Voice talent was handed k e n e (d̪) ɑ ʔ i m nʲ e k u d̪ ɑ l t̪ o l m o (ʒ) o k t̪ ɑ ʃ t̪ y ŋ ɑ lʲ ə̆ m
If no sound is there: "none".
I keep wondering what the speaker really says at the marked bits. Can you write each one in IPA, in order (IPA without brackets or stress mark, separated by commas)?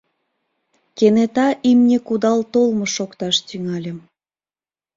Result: t̪, ʃ